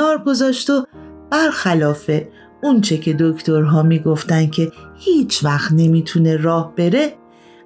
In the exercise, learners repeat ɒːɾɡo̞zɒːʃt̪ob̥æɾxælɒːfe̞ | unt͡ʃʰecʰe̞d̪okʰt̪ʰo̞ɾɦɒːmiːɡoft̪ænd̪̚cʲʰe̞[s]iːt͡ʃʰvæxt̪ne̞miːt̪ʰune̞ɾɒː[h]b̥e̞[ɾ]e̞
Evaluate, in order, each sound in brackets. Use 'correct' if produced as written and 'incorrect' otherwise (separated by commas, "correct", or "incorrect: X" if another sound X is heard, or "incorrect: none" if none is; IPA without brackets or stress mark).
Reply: incorrect: h, correct, correct